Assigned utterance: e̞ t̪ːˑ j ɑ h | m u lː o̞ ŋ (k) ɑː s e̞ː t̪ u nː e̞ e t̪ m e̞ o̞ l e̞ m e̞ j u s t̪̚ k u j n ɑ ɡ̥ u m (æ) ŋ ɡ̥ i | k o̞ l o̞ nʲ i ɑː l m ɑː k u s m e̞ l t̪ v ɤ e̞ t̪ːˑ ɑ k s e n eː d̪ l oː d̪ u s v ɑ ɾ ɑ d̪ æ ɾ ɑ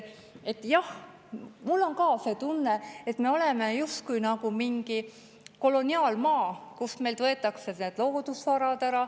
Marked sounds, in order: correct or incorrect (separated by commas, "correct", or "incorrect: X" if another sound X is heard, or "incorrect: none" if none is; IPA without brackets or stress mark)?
correct, incorrect: i